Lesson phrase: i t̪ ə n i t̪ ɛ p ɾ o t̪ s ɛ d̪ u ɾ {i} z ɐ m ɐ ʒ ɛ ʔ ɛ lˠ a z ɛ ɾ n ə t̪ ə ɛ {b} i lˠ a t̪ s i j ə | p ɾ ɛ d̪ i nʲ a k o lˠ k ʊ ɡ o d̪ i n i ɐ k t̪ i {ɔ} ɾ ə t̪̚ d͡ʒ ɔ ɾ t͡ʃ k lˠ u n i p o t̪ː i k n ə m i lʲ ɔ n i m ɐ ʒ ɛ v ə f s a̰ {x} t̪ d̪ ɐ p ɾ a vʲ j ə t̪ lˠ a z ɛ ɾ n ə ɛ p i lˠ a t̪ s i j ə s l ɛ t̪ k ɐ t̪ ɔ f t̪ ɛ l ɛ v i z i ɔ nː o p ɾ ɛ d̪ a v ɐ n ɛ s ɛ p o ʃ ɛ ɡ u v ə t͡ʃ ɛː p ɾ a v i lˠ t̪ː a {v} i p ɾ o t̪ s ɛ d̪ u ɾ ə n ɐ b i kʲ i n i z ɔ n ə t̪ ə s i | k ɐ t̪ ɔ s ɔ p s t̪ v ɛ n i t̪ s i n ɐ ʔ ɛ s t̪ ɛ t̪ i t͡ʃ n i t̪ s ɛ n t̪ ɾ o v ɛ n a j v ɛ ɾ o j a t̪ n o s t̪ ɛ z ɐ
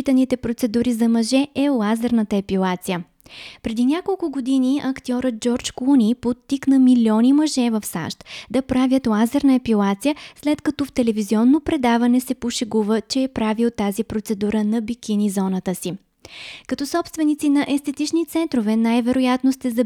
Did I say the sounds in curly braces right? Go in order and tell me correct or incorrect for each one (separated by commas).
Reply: correct, incorrect, correct, incorrect, incorrect